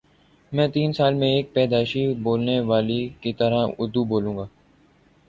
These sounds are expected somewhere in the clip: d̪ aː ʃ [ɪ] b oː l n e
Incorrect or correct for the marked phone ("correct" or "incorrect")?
incorrect